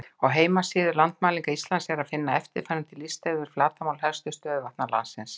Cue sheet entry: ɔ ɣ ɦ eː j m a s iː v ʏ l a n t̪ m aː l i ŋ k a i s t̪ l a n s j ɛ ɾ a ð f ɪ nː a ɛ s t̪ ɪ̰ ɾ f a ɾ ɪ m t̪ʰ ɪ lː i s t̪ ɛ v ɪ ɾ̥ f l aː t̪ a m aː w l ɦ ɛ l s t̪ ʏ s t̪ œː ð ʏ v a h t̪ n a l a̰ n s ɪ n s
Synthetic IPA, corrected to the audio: ɔ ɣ ɦ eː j m a s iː ð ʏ l a n t̪ m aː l i ŋ k a i s t̪ l a n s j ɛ ɾ a ð f ɪ nː a ɛ f t̪ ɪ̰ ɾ f a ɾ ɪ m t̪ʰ ɪ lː i s t̪ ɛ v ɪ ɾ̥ f l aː t̪ a m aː w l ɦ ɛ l s t̪ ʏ s t̪ œː ð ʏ v a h t̪ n a l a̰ n s ɪ n s